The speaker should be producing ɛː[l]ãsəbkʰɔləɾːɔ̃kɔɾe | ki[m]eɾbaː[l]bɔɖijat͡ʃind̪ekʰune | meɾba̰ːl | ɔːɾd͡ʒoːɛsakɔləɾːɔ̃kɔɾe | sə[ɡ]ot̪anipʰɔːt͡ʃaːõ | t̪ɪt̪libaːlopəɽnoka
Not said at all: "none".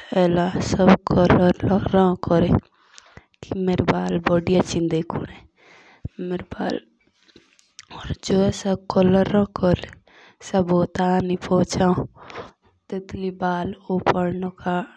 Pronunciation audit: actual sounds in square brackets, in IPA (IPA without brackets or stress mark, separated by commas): l, m, l, b